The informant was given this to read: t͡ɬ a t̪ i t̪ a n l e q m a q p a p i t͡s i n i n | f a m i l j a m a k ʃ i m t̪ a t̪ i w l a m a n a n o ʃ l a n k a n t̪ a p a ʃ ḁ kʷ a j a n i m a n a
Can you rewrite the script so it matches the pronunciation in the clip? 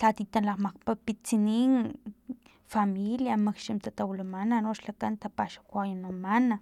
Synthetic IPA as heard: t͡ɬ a t̪ i t̪ a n l a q m a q p a p i t͡s i n i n | f a m i l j a m a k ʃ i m t̪ a t̪ a w l a m a n a n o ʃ l a k a n t̪ a p a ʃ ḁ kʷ a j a n a m a n a